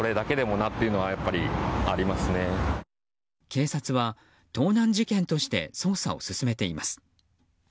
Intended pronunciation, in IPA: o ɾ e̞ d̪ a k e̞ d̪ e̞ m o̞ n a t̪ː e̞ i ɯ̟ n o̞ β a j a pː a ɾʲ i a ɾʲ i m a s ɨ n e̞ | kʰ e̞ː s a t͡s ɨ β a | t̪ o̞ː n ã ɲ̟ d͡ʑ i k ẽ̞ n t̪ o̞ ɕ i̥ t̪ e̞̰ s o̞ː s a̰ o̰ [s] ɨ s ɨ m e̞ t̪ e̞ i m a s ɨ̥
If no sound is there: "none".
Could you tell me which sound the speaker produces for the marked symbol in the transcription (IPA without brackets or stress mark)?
s